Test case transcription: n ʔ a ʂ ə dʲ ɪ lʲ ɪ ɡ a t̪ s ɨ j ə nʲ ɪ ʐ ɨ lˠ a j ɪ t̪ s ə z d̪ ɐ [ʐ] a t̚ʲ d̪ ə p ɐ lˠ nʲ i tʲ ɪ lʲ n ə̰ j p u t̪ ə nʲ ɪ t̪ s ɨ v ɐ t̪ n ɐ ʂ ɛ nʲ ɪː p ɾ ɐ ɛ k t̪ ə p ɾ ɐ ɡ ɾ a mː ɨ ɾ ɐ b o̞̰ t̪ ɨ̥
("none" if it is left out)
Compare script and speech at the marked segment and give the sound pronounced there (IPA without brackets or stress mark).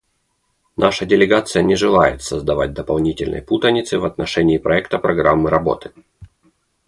v